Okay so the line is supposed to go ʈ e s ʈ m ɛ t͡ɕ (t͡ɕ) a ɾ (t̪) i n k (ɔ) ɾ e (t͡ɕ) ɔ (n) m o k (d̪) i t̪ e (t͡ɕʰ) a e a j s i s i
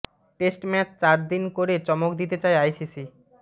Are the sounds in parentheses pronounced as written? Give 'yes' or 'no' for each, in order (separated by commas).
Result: yes, no, no, yes, no, yes, no